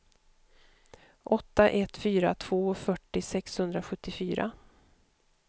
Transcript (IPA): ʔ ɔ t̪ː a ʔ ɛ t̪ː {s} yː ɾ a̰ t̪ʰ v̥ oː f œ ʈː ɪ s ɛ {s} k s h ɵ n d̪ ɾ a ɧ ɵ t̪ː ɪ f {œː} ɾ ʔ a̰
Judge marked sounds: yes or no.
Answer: no, no, no

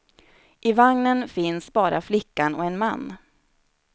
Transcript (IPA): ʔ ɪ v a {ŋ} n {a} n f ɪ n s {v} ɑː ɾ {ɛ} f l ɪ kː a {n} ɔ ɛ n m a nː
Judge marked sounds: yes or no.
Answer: yes, no, no, no, yes

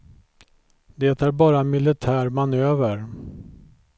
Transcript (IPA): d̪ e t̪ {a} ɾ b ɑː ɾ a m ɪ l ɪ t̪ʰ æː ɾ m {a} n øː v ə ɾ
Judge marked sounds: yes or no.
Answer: no, yes

